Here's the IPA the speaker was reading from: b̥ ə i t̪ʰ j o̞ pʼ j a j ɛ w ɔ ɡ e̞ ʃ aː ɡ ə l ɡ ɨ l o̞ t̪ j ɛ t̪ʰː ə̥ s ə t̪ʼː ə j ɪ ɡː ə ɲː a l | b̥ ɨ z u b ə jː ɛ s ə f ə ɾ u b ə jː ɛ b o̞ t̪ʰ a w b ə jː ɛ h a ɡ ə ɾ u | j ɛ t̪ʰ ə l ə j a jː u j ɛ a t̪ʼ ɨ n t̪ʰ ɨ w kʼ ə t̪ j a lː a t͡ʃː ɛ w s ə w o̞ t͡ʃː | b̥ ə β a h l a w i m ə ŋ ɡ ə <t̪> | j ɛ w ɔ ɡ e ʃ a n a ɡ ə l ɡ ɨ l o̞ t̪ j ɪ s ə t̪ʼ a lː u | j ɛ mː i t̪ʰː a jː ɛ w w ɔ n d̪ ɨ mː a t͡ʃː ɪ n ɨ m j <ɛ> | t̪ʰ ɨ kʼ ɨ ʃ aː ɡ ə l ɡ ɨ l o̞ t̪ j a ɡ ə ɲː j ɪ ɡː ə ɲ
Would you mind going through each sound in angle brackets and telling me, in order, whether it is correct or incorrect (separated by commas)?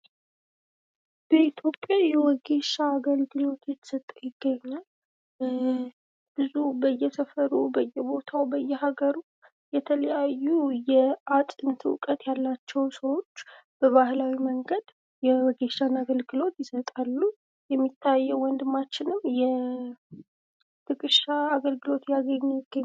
incorrect, correct